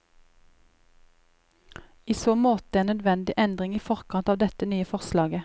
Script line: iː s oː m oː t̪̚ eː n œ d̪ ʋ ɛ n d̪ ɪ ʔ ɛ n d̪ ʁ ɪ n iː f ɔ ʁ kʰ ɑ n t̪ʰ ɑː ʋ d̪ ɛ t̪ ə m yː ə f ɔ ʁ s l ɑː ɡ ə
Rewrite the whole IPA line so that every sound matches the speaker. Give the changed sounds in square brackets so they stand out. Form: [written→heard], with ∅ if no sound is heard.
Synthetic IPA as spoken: iː s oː m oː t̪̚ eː n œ d̪ ʋ ɛ n d̪ ɪ ʔ ɛ n d̪ ʁ ɪ [n→ŋ] iː f ɔ ʁ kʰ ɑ n [t̪ʰ→t̪] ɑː ʋ d̪ ɛ t̪ ə [m→n] yː ə f ɔ ʁ s l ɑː ɡ ə